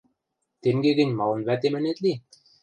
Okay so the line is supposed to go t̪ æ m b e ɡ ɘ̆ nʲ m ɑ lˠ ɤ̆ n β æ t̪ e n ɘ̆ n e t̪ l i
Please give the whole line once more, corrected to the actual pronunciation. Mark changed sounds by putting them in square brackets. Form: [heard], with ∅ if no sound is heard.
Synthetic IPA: t̪ [e] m [ɡ] e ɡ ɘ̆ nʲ m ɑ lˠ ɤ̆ n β æ t̪ e [m] ɘ̆ n e t̪ l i

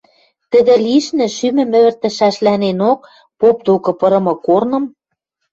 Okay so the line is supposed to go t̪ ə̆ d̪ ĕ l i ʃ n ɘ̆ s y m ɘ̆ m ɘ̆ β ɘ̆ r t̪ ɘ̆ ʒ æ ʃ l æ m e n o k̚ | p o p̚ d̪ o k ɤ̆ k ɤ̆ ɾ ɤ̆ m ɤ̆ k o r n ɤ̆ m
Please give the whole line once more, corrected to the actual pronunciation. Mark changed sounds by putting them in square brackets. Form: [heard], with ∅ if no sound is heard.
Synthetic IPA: t̪ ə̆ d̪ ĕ l i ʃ n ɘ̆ [ʃ] y m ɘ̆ m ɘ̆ β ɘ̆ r t̪ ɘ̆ [ʃ] æ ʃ l æ [n] e n o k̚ | p o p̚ d̪ o k ɤ̆ [p] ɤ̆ ɾ ɤ̆ m ɤ̆ k o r n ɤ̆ m

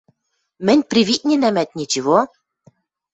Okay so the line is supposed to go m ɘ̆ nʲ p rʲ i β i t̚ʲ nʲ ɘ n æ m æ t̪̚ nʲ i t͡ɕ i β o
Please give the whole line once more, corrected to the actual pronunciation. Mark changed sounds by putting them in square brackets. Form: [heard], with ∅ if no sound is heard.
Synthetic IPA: m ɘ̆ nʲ p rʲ i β i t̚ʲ nʲ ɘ n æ m æ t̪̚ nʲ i t͡ɕ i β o

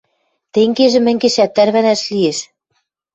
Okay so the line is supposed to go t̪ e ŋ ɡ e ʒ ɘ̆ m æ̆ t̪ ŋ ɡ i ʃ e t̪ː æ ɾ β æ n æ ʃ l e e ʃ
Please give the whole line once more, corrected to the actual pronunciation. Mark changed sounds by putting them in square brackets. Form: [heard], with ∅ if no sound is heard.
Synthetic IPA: t̪ e ŋ ɡ e ʒ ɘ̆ m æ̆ [∅] ŋ ɡ [e] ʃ [æ] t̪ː æ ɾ β æ n æ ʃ l [i] e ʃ

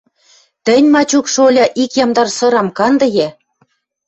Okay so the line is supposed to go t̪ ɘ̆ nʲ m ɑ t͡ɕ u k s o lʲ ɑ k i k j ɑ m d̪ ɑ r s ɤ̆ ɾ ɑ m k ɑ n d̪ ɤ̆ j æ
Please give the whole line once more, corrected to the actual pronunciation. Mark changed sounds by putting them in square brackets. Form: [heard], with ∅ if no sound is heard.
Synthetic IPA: t̪ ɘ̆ nʲ m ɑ t͡ɕ u k [ʃ] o lʲ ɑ [ʔ] i k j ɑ m d̪ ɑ r s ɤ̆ ɾ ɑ m k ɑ n d̪ ɤ̆ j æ

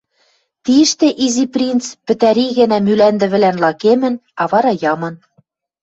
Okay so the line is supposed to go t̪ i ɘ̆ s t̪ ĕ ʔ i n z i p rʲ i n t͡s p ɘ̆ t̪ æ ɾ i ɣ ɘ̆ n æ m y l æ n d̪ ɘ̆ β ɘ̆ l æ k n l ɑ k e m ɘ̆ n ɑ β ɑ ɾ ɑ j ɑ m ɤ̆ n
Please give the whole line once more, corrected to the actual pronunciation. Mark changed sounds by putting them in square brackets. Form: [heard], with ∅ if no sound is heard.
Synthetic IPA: t̪ i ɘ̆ [ʃ] t̪ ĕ ʔ i [∅] z i p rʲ i n t͡s p ɘ̆ t̪ æ ɾ i ɣ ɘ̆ n æ m y l æ n d̪ ɘ̆ β ɘ̆ l æ [∅] n l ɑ k e m ɘ̆ n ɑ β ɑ ɾ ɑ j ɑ m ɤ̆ n

